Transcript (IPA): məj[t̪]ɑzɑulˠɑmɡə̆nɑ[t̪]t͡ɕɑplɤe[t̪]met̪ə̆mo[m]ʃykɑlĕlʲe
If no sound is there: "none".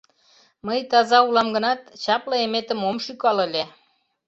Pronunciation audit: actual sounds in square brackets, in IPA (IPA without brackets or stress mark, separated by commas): t̪, t̪, none, m